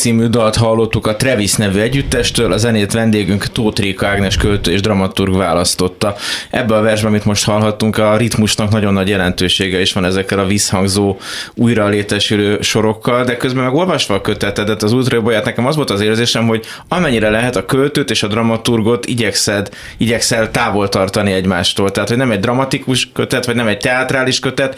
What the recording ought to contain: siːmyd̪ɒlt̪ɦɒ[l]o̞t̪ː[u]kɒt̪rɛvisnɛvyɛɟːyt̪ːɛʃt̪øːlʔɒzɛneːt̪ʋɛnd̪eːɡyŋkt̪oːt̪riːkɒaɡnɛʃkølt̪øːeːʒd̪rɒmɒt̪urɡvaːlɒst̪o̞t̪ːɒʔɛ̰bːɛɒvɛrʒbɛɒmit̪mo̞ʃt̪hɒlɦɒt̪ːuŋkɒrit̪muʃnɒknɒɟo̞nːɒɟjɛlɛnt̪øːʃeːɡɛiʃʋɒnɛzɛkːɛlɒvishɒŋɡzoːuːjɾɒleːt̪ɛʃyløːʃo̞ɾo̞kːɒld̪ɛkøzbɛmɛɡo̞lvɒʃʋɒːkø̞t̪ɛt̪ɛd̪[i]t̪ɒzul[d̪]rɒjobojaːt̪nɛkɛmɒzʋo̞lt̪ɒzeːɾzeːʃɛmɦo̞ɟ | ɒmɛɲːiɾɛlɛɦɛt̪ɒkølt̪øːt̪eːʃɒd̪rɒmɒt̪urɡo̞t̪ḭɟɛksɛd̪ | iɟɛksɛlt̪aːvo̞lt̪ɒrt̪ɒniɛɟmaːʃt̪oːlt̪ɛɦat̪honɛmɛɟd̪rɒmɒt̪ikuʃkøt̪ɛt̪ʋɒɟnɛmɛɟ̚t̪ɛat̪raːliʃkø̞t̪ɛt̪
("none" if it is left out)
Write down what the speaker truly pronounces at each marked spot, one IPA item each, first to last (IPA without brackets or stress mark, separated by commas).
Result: lː, u, ɛ, t̪